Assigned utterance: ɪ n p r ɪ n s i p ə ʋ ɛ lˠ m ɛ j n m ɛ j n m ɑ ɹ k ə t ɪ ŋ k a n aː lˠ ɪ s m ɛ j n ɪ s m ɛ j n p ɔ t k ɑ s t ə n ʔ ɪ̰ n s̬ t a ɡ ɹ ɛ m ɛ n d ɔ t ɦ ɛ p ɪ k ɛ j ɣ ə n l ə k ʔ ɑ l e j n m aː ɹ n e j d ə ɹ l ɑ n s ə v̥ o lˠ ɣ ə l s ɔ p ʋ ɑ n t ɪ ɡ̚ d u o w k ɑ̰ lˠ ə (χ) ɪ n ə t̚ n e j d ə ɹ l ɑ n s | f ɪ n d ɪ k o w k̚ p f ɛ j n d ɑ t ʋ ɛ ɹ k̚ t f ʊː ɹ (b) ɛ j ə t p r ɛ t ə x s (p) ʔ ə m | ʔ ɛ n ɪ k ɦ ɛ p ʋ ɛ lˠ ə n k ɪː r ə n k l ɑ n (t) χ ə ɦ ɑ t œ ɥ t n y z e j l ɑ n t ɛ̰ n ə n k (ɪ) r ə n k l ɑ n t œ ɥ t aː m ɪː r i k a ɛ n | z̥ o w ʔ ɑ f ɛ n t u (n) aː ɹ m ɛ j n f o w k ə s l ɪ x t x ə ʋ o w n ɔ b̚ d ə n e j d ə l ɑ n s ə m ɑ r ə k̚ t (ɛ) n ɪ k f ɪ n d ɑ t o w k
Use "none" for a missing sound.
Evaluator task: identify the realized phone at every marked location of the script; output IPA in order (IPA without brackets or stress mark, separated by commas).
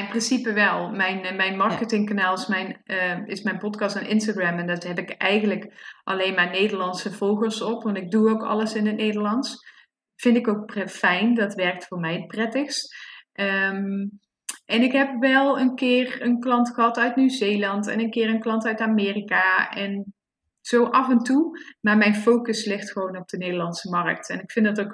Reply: s, m, t, t, ɪː, m, ɛ